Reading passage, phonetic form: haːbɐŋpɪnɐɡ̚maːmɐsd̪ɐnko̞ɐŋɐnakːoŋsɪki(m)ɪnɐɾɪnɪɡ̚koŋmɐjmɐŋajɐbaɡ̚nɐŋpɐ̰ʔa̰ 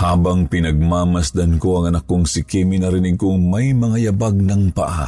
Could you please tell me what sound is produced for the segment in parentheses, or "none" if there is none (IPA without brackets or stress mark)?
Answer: m